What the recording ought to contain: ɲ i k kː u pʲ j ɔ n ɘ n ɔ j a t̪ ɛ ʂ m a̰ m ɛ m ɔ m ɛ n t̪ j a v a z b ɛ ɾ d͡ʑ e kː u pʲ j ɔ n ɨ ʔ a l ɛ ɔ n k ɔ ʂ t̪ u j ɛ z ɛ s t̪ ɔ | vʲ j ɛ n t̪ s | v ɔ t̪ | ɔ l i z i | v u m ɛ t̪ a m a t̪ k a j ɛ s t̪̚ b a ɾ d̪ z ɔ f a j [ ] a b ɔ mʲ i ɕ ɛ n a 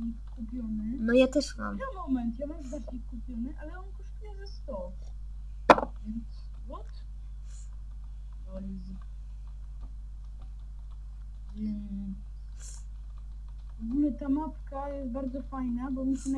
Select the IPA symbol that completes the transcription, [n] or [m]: n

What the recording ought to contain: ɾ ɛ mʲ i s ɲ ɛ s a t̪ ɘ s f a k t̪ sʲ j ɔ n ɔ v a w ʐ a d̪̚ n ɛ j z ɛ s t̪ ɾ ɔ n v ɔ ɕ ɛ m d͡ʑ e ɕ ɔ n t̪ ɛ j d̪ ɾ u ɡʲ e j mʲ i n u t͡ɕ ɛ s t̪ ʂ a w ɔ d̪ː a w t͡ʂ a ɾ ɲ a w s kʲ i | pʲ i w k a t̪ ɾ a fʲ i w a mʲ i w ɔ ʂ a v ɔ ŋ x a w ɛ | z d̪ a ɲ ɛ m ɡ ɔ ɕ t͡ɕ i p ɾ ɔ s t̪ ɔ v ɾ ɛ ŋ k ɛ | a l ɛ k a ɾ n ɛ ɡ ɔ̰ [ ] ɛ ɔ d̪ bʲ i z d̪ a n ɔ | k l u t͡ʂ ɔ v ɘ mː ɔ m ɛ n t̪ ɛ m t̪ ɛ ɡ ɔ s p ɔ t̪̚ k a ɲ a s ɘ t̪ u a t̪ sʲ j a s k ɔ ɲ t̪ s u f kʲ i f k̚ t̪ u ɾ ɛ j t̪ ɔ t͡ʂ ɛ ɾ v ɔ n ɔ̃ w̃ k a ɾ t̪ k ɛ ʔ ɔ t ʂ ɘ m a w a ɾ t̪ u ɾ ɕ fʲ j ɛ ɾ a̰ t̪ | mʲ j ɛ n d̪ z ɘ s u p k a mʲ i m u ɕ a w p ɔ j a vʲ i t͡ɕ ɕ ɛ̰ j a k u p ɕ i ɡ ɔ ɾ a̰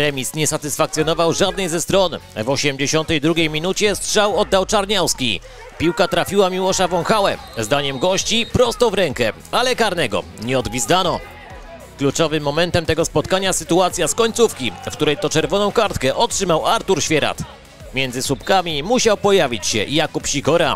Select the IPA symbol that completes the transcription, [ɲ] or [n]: ɲ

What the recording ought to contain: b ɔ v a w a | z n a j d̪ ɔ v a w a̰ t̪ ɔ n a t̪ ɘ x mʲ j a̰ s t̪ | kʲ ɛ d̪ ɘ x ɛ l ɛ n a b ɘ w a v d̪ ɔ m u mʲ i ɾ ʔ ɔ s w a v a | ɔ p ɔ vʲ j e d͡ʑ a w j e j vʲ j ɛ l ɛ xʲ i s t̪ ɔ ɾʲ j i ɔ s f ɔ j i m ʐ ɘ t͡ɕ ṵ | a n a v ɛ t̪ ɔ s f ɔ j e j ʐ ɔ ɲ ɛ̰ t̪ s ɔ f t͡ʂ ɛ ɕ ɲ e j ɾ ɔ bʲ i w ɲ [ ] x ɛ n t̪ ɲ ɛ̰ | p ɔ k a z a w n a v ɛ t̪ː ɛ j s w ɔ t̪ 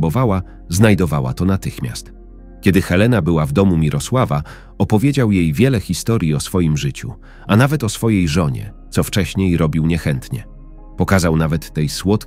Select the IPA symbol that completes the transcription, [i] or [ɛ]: ɛ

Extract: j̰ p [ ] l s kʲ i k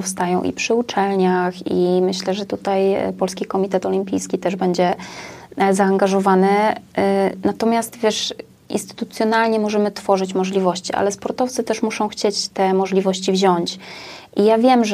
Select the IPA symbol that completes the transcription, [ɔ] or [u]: ɔ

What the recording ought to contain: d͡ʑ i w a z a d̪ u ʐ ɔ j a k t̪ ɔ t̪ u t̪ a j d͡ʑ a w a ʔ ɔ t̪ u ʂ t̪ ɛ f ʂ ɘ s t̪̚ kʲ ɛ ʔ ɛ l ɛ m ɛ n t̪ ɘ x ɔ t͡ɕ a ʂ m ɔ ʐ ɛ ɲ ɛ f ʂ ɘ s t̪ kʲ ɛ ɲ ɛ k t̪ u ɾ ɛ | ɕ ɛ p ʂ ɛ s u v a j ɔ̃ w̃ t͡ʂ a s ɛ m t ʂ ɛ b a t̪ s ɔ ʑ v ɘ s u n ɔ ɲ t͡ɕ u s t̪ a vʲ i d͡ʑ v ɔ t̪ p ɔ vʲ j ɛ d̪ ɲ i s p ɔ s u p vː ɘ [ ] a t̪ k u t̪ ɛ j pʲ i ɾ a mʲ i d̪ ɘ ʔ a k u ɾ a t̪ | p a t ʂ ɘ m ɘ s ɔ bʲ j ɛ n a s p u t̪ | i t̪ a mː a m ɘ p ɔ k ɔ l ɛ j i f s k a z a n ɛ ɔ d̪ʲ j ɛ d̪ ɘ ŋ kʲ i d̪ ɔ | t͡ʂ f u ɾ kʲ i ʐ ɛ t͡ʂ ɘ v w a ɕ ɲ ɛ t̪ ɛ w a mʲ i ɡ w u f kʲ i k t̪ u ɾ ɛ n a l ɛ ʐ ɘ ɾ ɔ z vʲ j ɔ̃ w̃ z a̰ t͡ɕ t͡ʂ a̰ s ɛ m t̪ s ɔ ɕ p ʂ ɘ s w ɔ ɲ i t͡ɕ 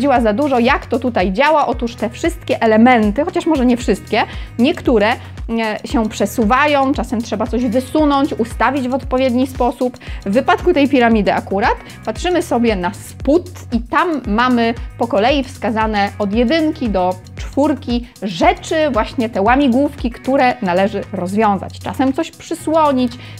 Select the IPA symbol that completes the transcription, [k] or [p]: p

